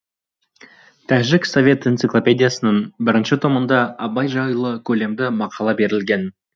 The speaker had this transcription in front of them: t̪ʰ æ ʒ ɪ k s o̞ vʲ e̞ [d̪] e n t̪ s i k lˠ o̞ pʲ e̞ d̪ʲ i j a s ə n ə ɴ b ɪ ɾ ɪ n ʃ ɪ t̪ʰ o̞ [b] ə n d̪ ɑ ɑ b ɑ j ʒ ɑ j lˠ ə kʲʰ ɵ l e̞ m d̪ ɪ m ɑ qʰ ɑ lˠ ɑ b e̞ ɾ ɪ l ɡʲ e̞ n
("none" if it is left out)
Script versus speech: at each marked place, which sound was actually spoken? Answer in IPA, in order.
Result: t̪, m

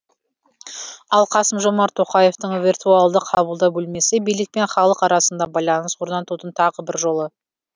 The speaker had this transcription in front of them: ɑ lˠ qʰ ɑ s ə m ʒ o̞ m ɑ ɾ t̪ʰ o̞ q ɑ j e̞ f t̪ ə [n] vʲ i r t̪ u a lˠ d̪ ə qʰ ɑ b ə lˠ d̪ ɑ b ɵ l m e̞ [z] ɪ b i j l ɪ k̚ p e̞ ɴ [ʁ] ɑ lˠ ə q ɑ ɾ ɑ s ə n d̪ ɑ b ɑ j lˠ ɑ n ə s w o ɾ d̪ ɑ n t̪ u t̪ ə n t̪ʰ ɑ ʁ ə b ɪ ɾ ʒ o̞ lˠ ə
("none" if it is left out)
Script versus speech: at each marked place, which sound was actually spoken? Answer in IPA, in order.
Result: ɴ, s, χ

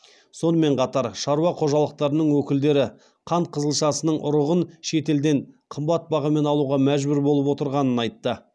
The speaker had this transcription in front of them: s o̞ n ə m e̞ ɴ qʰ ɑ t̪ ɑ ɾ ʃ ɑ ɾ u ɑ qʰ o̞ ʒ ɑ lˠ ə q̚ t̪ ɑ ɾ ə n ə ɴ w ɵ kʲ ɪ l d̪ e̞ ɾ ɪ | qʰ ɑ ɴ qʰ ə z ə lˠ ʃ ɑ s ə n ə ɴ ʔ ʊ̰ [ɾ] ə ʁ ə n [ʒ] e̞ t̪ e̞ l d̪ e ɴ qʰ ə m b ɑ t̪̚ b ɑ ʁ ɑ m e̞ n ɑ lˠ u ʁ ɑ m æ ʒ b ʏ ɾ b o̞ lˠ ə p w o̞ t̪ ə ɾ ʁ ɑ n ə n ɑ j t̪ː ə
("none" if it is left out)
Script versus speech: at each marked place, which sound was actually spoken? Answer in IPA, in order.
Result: ɾ, ʃ

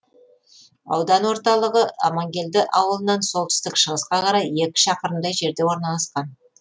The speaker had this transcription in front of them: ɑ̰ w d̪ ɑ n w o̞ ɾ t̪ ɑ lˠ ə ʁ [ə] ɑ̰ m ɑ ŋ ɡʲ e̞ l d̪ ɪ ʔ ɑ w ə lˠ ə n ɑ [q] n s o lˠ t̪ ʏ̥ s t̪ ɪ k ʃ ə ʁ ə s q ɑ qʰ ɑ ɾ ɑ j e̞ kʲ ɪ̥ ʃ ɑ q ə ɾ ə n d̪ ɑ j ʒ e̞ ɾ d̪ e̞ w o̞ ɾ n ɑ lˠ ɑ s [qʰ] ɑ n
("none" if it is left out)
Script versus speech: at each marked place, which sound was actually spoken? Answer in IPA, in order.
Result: ə, none, q

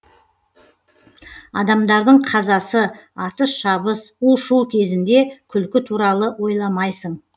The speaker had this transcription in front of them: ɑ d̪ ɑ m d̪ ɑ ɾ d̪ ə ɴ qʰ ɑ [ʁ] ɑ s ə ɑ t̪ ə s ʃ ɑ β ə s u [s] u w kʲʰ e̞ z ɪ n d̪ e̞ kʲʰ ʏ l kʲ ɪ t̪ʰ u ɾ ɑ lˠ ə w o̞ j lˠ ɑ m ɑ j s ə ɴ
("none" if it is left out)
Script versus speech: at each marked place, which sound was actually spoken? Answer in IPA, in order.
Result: z, ʃ

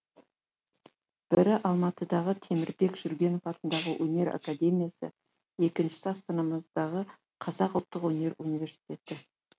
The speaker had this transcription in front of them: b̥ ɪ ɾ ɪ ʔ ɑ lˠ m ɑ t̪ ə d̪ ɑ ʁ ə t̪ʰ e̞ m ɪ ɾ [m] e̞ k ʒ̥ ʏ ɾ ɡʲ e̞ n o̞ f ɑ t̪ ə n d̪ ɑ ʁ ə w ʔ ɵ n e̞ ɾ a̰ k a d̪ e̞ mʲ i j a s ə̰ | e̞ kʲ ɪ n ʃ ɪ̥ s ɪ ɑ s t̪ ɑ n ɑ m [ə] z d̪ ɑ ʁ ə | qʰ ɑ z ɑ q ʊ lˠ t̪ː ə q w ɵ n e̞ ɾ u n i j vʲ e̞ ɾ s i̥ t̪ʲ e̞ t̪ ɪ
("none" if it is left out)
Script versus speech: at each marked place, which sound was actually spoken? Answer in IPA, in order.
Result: b, ə

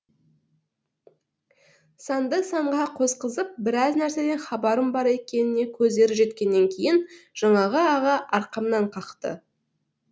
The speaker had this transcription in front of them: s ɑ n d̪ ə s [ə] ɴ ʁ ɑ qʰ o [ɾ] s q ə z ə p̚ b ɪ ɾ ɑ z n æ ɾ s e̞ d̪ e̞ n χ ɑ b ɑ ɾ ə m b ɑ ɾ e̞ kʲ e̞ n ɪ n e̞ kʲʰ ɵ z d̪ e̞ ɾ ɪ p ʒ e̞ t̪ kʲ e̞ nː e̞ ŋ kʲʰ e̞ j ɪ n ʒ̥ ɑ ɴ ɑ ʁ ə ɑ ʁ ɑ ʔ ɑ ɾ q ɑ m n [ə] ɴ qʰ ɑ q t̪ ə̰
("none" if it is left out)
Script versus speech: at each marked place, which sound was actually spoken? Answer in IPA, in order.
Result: ɑ, none, ɑ

